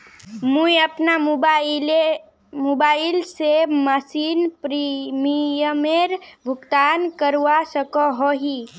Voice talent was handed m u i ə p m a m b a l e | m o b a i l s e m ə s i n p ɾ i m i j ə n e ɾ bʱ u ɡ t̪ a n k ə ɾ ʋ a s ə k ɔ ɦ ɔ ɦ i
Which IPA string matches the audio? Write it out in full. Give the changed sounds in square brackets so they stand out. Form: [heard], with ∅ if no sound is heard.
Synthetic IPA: m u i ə p [n] a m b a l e | m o b a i l s e m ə s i n p ɾ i m i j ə [m] e ɾ bʱ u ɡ t̪ a n k ə ɾ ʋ a s ə k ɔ ɦ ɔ ɦ i